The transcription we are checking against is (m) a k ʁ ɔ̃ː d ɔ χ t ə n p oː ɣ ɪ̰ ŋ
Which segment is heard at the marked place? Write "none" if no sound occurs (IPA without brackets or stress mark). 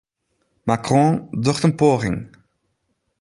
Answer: m